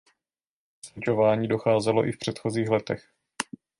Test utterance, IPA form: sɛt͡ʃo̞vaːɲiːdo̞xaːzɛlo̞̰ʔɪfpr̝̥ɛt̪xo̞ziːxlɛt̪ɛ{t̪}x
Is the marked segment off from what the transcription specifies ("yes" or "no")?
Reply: yes